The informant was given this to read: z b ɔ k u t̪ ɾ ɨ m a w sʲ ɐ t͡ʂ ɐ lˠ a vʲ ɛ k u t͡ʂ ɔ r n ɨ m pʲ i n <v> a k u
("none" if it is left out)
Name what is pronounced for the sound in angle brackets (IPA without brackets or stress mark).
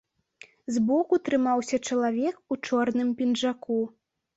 ʐ